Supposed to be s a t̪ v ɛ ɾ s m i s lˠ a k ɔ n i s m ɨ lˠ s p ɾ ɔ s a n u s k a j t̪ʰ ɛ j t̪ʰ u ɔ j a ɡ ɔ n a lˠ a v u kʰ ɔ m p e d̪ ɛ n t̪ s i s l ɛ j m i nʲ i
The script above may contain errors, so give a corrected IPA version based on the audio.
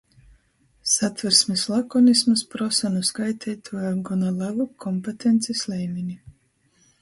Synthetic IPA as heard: s a t̪ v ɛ ɾ s m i s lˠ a k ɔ n i s m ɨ s p ɾ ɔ s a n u s k a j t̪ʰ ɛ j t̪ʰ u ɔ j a ɡ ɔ n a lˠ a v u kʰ ɔ m p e t̪ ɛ n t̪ s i s l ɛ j m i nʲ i